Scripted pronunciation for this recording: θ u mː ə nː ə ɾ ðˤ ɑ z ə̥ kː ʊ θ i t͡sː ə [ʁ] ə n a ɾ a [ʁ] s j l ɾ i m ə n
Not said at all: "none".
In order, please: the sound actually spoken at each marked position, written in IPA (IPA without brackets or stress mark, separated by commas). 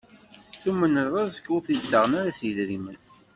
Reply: ʁ, none